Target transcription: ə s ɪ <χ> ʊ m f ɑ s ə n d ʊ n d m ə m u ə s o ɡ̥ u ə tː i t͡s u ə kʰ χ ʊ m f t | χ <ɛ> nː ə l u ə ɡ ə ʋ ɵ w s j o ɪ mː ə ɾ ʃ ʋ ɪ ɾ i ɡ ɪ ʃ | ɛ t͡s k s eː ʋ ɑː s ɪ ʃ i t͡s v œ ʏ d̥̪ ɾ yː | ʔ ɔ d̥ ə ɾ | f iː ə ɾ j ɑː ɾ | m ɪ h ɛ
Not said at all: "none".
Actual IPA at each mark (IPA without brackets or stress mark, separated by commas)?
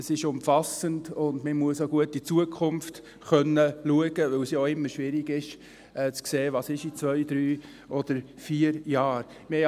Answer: ʃ, œ